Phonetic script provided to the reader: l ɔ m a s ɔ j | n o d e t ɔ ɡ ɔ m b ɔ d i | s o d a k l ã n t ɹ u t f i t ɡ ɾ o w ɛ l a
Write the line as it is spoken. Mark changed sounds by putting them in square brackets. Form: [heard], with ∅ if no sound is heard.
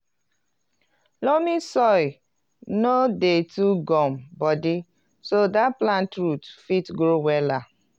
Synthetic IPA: l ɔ m [i] s ɔ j | n o d e t [u] ɡ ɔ m b ɔ d i | s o d a [p] l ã n t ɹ u t f i t ɡ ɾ o w ɛ l a